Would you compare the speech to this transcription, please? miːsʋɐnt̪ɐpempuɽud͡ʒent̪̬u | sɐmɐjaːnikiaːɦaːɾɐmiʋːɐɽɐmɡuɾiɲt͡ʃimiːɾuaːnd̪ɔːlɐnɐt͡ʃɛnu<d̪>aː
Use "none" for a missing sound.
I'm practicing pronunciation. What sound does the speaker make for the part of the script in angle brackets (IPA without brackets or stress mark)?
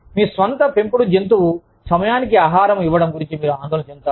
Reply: t̪